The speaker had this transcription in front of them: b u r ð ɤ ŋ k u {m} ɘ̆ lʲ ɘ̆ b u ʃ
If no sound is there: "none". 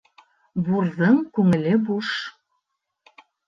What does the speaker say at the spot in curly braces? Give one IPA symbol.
ŋ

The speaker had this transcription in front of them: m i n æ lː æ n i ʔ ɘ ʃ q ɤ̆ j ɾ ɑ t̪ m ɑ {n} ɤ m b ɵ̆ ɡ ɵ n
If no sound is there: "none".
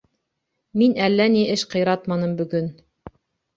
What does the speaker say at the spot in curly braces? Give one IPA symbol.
n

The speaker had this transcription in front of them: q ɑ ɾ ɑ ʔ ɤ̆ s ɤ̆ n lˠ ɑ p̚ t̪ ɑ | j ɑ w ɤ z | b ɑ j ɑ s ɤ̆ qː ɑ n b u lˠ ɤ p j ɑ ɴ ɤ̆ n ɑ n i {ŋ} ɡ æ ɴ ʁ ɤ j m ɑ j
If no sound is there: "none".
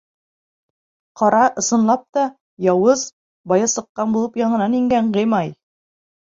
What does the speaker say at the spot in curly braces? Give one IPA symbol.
ŋ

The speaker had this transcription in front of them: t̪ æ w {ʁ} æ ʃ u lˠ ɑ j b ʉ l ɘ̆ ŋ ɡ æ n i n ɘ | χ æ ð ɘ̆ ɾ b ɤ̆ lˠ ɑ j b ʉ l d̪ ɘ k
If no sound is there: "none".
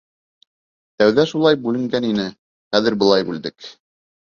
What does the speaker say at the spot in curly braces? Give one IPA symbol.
ð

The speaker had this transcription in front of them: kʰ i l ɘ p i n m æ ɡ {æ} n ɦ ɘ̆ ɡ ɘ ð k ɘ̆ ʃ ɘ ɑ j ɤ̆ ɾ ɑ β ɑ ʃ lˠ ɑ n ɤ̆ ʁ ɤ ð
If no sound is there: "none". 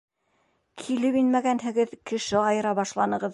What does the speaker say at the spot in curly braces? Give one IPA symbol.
æ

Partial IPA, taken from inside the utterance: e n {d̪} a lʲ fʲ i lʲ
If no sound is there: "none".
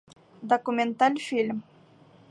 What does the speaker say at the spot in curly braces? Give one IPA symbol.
t̪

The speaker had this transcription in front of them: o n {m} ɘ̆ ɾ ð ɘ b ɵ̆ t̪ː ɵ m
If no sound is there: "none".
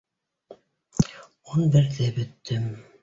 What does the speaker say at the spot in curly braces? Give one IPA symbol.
b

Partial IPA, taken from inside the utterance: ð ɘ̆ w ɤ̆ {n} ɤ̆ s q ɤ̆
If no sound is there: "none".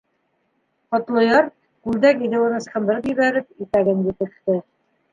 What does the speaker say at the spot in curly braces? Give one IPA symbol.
n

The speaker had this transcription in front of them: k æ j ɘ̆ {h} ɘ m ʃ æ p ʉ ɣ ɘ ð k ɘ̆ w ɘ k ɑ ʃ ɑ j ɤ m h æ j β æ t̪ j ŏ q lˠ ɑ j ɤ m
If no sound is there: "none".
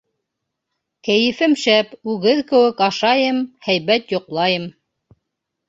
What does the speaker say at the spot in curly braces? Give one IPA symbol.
f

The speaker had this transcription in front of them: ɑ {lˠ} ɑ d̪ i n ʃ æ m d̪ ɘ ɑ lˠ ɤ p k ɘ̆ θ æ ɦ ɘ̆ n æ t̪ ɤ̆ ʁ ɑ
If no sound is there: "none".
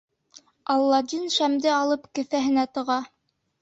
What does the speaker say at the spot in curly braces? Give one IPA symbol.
lˠː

